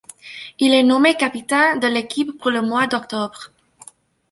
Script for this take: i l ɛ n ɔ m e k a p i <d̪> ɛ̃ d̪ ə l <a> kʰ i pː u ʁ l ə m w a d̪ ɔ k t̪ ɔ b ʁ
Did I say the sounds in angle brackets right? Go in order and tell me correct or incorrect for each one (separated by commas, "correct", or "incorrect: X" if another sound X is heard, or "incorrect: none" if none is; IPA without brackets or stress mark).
incorrect: t̪, incorrect: e